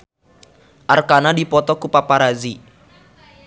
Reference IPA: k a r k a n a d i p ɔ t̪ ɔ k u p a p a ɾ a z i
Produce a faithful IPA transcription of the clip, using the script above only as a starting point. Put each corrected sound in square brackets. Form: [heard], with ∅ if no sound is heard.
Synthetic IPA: [ʔ] a r k a n a d i p ɔ t̪ ɔ k u p a p a ɾ a z i